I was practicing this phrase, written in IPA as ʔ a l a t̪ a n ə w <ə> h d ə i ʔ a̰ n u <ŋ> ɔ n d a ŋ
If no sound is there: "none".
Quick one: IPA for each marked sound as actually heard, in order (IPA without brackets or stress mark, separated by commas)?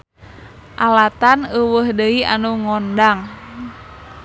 ə, ŋ